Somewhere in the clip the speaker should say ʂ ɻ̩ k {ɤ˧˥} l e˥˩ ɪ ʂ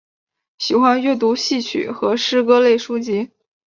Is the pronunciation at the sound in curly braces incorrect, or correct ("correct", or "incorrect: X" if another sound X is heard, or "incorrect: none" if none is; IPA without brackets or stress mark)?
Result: incorrect: ɤ˥